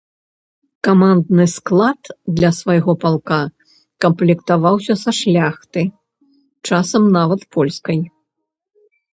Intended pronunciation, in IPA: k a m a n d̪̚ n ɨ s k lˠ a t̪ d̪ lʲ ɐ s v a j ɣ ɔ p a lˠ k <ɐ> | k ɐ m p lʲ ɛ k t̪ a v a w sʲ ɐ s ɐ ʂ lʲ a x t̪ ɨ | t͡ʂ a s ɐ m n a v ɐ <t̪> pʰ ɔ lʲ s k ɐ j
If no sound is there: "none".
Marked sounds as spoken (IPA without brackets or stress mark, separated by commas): a, t̪